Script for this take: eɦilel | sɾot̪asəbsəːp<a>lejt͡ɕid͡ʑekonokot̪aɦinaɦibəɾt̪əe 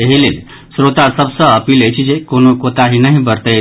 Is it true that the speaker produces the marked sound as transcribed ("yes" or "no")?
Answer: no